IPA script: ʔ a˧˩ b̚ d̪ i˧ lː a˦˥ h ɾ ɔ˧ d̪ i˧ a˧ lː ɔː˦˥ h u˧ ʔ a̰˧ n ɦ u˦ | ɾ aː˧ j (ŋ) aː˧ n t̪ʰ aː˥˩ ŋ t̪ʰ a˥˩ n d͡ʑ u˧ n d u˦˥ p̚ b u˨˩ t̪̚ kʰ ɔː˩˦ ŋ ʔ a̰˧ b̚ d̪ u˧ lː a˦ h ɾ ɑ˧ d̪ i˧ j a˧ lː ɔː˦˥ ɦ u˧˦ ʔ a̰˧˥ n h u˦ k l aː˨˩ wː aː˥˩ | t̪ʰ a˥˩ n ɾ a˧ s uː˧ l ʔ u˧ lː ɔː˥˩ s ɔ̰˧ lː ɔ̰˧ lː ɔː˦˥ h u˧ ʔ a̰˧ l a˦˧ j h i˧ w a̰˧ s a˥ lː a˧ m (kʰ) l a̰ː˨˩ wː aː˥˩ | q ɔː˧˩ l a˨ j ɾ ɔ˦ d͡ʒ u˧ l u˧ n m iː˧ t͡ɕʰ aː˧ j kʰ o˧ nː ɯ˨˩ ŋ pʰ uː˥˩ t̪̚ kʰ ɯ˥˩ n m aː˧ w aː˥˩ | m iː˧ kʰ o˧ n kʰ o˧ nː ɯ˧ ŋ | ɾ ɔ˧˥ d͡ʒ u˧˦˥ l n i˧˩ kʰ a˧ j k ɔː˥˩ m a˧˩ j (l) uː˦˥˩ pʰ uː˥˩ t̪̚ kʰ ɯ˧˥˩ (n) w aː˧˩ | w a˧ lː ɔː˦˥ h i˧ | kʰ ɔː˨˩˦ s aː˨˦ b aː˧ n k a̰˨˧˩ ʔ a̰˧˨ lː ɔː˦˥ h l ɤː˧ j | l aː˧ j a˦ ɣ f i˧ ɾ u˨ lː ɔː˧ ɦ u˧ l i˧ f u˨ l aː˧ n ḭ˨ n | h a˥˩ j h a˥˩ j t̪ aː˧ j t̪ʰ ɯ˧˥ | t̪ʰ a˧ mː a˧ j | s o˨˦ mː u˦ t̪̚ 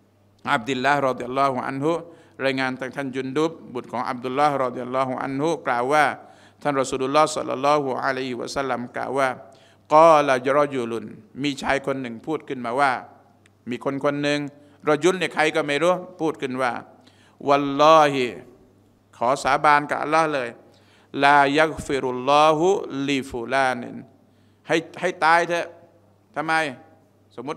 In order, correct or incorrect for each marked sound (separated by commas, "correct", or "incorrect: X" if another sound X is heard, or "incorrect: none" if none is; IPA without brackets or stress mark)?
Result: correct, incorrect: k, incorrect: ɾ, correct